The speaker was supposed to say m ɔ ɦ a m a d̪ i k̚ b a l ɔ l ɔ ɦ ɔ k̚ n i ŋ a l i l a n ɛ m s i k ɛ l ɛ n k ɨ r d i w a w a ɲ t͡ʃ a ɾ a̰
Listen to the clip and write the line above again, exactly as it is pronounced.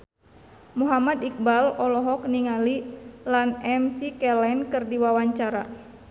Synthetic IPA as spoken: m u ɦ a m a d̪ i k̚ b a l ɔ l ɔ ɦ ɔ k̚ n i ŋ a l i l a n ɛ m s i k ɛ l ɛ n k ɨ r d i w a w a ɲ t͡ʃ a ɾ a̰

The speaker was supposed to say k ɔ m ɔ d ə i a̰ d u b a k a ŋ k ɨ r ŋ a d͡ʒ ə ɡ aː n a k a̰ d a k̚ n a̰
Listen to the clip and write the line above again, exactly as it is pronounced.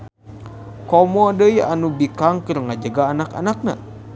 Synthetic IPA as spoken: k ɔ m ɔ d ə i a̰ n u b i k a ŋ k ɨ r ŋ a d͡ʒ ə ɡ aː n a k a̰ n a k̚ n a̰

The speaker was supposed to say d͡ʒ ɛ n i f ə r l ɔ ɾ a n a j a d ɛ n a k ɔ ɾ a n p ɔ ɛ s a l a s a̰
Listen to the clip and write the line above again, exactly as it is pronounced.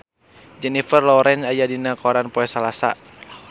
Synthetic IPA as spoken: d͡ʒ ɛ n i f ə r l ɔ ɾ ɛ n a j a d i n a k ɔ ɾ a n p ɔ ɛ s a l a s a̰

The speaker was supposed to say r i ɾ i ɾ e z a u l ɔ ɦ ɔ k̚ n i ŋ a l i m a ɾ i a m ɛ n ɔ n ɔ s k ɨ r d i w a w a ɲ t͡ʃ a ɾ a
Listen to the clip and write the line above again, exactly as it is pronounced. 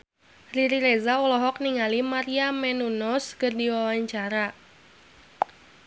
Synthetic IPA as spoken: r i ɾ i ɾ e z a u l ɔ ɦ ɔ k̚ n i ŋ a l i m a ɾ i a m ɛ n u n ɔ s k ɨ r d i w a w a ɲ t͡ʃ a ɾ a

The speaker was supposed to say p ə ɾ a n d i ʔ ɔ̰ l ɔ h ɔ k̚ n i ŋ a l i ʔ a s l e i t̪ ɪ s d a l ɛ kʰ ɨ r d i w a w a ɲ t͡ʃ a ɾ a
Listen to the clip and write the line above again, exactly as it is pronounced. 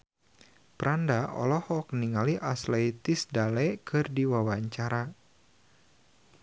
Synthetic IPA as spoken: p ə ɾ a n d a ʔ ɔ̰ l ɔ h ɔ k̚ n i ŋ a l i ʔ a s l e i t̪ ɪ s d a l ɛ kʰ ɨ r d i w a w a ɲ t͡ʃ a ɾ a

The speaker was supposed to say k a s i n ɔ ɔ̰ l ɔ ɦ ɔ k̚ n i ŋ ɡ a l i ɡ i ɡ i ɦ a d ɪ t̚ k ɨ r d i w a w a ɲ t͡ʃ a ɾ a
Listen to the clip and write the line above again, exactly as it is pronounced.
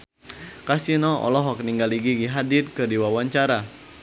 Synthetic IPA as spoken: k a s i n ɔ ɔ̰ l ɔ ɦ ɔ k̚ n i ŋ ɡ a l i ɡ i ɡ i ɦ a d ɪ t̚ k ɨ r d i w a w a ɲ t͡ʃ a ɾ a

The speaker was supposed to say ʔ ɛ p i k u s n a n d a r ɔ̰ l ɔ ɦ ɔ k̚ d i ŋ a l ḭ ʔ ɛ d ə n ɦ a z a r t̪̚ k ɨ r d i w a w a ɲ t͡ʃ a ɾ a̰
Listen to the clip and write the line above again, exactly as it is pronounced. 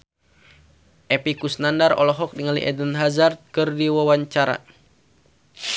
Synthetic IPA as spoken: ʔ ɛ p i k u s n a n d a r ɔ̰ l ɔ ɦ ɔ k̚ d i ŋ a l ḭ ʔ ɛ d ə n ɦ a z a r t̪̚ k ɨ r d i w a w a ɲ t͡ʃ a ɾ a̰

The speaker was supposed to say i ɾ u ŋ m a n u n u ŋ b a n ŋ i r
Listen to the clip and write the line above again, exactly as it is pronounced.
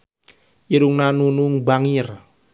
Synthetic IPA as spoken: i ɾ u ŋ n a n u n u ŋ b a ŋ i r

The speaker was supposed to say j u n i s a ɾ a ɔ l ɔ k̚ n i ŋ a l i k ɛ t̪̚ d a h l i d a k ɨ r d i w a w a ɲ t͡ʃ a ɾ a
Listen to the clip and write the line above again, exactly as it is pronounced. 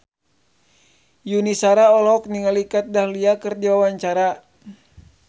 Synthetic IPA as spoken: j u n i s a ɾ a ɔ l ɔ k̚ n i ŋ a l i k a t̪̚ d a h l i a k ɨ r d i w a w a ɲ t͡ʃ a ɾ a

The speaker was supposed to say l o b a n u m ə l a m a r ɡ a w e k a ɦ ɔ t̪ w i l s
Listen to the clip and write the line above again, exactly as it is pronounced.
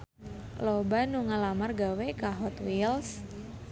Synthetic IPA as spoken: l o b a n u ŋ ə l a m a r ɡ a w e k a ɦ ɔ t̪ w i l s

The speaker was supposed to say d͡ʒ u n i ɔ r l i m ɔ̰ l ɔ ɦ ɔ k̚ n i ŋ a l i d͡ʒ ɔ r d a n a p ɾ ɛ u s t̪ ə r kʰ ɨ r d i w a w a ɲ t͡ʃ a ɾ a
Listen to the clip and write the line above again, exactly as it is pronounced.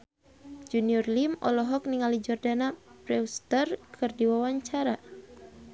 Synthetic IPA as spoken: d͡ʒ u n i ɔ r l i m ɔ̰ l ɔ ɦ ɔ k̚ n i ŋ a l i d͡ʒ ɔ r d a n a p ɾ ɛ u s t̪ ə r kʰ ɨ r d i w a w a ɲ t͡ʃ a ɾ a

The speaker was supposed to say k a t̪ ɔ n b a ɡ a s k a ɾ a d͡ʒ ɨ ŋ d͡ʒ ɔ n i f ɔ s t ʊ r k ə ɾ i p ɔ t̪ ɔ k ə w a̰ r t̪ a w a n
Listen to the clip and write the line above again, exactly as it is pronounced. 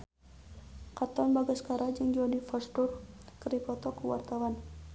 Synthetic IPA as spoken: k a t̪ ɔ n b a ɡ a s k a ɾ a d͡ʒ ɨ ŋ d͡ʒ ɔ n i f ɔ s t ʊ r k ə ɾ i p ɔ t̪ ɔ k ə w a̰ r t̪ a w a n

